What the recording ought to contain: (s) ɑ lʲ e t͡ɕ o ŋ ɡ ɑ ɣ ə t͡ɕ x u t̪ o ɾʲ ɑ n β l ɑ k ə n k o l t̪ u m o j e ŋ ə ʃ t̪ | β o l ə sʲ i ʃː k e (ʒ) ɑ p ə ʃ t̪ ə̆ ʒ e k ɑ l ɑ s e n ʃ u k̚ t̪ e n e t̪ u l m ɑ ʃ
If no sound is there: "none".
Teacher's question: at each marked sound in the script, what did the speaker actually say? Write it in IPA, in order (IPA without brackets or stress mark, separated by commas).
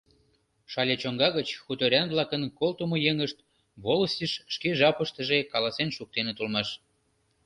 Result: ʃ, ʒ